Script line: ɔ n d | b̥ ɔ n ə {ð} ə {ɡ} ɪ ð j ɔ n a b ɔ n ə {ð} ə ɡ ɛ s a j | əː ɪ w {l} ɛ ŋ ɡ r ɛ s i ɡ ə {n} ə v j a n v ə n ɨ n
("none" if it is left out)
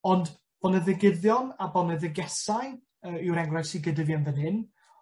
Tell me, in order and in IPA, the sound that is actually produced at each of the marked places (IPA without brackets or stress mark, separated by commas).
ð, ɡ, ð, ɾ, d